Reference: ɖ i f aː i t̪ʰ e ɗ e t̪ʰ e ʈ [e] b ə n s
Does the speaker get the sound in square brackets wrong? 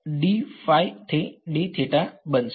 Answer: yes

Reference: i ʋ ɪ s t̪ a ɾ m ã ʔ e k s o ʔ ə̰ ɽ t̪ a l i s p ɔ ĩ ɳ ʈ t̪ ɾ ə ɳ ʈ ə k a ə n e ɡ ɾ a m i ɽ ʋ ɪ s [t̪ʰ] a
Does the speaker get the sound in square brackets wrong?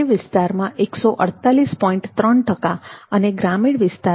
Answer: yes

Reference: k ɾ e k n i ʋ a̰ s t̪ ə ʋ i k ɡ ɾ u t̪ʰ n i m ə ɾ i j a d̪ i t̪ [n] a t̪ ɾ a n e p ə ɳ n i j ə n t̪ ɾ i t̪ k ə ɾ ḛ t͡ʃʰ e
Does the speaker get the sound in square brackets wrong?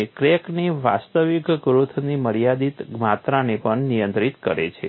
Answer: yes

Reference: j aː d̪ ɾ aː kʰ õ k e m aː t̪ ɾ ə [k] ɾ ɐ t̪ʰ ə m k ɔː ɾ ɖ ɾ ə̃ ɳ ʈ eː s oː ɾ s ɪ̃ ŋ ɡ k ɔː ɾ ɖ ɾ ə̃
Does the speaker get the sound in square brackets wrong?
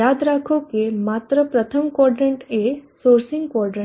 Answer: yes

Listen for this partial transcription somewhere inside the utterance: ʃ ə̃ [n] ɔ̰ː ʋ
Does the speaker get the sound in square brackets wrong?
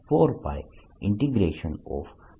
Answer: no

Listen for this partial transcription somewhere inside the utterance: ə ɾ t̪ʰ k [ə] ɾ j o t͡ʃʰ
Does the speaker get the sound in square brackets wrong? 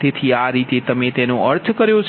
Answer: no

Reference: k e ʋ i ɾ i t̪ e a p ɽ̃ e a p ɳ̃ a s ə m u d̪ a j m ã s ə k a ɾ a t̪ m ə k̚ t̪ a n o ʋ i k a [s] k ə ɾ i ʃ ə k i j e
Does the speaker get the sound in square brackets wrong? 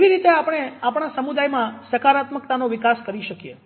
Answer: no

